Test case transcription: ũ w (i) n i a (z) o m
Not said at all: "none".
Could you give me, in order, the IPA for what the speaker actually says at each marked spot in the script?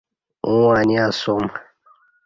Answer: a, s

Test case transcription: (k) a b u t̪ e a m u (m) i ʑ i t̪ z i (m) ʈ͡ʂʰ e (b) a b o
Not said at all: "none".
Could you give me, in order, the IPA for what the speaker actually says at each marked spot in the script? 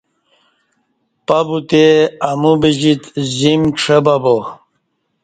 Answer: p, b, m, b

